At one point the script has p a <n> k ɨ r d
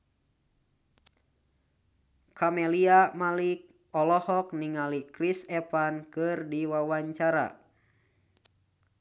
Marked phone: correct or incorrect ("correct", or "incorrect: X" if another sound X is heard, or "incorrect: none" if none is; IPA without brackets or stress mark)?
correct